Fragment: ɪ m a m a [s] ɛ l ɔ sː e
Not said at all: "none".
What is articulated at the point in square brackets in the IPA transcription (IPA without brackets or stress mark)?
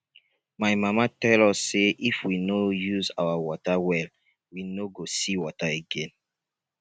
t